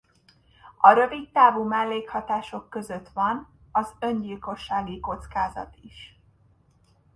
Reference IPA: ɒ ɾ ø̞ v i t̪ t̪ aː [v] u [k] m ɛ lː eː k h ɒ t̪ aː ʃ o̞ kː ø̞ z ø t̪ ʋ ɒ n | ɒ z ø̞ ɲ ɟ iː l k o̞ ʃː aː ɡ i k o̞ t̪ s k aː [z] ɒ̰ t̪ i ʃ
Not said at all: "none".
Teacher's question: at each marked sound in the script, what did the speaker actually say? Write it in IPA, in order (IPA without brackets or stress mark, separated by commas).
v, none, z